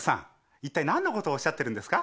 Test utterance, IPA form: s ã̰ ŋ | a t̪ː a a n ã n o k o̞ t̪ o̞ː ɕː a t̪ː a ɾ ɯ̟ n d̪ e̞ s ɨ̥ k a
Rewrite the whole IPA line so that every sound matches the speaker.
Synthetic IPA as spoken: s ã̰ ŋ | i t̪ː a i n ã nː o k o̞ t̪ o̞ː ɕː a t̪ː e ɾ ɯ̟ n d̪ e̞ s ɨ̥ k a